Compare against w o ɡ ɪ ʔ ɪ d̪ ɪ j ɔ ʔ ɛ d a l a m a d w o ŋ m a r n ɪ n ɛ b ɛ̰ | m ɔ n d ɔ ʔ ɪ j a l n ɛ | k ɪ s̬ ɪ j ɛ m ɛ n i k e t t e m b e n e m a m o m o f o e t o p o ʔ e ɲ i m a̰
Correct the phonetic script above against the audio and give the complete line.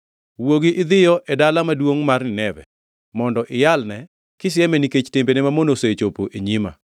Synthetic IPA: w o ɡ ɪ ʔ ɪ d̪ ɪ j ɔ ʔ ɛ d a l a m a d w o ŋ m a r n ɪ n ɛ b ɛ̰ | m ɔ n d ɔ ʔ ɪ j a l n ɛ | k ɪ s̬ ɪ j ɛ m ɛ n i k e t͡ʃ t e m b e n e m a m o n o s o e t͡ʃ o p o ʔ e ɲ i m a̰